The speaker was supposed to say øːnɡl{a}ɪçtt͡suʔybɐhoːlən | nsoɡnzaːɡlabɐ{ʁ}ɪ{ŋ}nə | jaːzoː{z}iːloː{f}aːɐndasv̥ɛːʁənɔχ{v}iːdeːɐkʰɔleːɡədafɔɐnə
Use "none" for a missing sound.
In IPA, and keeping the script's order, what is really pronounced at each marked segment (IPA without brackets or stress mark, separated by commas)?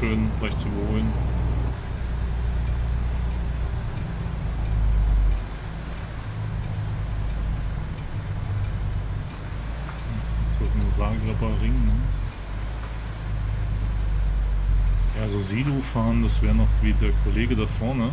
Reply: a, ʁ, ŋ, z, f, v